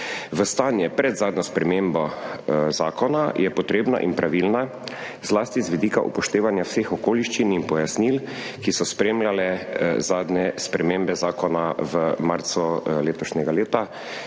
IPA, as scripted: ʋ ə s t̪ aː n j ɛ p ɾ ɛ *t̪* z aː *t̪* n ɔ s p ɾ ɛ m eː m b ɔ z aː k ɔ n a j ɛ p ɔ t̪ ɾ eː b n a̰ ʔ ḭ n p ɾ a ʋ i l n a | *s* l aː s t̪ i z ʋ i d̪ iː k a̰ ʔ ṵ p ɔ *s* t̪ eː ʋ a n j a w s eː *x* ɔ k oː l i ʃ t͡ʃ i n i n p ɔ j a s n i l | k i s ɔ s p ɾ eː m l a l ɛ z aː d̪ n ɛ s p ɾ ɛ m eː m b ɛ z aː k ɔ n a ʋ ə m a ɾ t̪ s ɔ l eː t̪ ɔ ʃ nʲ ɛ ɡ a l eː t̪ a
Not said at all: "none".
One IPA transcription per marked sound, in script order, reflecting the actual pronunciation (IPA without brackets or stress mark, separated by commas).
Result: d̪, d̪, z, ʃ, x